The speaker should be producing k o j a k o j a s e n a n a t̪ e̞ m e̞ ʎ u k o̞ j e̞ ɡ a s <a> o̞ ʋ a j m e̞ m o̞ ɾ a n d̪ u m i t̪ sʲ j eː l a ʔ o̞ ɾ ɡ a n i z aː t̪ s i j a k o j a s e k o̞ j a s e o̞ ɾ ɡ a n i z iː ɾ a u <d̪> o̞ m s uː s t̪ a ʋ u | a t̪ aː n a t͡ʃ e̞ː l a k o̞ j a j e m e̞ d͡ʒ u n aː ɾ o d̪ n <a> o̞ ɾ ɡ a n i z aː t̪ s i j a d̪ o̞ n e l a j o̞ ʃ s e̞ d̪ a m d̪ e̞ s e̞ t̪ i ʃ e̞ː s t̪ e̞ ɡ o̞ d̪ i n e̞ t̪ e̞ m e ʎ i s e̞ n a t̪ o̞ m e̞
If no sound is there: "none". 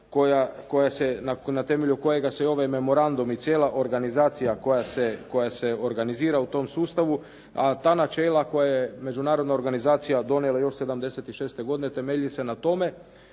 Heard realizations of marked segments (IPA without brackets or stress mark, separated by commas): e, t̪, a